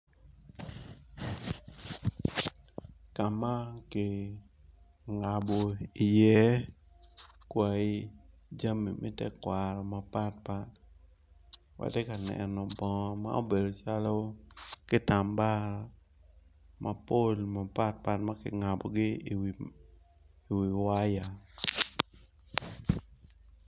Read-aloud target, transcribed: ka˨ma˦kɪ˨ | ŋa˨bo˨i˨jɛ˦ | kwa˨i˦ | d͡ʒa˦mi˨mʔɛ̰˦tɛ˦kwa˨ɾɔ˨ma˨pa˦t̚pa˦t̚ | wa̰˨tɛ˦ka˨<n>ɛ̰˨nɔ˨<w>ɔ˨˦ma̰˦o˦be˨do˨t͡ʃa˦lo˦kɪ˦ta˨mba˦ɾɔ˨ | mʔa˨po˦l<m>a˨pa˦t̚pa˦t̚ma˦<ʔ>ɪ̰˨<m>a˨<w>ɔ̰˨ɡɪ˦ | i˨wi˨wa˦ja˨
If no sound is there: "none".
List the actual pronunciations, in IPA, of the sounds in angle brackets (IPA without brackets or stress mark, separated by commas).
n, b, m, k, ŋ, b